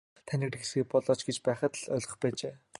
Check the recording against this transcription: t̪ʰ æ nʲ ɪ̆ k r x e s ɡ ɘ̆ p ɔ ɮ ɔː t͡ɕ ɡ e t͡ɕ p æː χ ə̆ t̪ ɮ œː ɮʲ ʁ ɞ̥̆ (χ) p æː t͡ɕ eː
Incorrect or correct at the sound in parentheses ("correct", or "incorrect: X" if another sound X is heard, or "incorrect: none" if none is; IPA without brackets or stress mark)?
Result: correct